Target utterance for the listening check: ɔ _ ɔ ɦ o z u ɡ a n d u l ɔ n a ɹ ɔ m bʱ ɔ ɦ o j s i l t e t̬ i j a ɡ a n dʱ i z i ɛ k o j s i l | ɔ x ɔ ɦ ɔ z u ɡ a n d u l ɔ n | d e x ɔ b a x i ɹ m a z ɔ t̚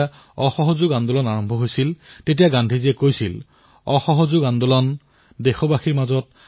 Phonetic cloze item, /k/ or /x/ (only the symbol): x